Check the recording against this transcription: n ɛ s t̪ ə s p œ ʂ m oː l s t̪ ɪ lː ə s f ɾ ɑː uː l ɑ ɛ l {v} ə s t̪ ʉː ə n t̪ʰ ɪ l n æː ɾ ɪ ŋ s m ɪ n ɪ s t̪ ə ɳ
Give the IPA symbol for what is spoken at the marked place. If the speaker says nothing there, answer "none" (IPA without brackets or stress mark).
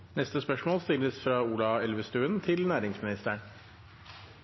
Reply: ʋ